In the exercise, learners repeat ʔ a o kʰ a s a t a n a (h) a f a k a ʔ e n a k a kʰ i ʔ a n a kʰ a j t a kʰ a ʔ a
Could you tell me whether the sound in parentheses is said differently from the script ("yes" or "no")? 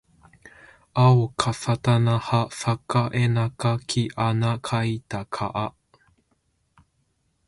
no